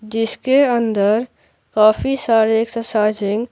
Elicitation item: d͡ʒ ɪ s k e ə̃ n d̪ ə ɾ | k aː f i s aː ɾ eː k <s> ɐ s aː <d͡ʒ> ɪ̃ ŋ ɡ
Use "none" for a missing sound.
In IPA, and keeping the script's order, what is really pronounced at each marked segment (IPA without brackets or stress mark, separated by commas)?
s, d͡ʒ